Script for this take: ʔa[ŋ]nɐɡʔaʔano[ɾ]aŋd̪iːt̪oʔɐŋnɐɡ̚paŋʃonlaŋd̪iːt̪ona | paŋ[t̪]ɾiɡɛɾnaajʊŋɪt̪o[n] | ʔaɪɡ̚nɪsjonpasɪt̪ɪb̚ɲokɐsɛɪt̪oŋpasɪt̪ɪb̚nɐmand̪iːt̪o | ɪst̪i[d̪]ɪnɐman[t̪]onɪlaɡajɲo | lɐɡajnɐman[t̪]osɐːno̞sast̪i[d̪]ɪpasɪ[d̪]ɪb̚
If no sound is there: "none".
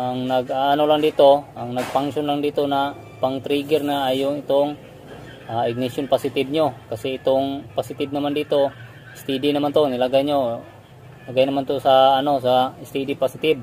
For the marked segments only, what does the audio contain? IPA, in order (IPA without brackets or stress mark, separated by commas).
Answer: ŋ, l, t̪, ŋ, d̪, t̪, t̪, d̪, t̪